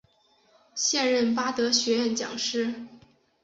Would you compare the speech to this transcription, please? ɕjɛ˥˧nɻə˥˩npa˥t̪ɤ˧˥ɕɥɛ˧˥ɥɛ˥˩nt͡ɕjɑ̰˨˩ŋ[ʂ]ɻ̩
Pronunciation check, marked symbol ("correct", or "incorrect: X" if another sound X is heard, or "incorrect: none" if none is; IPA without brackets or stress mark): correct